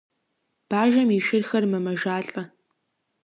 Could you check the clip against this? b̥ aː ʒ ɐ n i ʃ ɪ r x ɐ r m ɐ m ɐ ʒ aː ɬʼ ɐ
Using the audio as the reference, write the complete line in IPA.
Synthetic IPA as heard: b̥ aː ʒ ɐ m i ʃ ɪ r x ɐ r m ɐ m ɐ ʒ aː ɬʼ ɐ